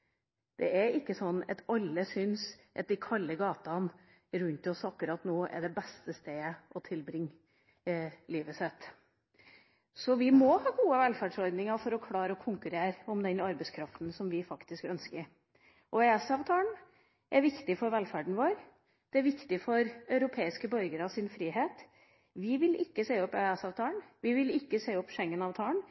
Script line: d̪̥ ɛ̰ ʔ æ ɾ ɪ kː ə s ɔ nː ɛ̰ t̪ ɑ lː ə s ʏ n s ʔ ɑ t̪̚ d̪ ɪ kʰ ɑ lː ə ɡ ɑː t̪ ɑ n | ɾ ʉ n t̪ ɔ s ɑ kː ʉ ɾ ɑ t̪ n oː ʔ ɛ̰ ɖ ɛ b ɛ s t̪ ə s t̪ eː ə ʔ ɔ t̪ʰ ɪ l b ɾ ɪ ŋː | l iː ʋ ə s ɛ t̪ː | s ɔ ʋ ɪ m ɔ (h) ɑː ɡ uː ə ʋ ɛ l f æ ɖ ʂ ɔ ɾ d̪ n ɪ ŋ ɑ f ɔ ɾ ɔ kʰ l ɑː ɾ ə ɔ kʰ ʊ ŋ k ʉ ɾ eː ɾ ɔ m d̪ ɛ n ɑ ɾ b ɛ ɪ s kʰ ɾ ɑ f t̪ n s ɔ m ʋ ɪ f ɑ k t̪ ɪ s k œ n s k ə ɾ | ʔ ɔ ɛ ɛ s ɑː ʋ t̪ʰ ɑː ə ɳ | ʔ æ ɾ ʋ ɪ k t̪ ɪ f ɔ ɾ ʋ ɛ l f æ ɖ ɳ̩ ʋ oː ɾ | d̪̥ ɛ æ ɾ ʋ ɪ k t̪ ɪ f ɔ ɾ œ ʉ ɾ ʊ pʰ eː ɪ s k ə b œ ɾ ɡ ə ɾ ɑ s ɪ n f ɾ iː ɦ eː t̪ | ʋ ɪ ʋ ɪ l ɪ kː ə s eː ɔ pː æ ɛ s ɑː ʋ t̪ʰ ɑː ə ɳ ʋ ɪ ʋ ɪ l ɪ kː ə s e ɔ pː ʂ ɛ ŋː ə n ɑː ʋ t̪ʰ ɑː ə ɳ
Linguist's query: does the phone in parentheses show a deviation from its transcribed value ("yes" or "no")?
no